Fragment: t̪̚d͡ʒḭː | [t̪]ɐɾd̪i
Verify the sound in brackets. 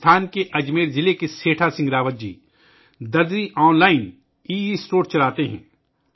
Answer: incorrect: d̪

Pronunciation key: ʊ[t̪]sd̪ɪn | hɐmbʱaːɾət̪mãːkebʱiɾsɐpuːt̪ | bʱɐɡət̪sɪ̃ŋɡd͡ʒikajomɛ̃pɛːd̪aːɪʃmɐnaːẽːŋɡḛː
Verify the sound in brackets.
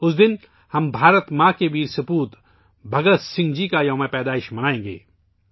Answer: incorrect: none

